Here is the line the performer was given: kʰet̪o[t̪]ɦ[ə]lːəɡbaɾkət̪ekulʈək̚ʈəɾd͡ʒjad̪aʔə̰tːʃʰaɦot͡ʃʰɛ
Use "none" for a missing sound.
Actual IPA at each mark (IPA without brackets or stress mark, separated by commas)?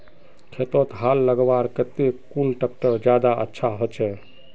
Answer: t̪, a